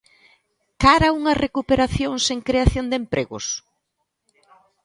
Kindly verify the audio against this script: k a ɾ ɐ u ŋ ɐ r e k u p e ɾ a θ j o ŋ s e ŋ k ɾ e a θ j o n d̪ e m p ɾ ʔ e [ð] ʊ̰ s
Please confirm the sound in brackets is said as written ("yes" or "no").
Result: no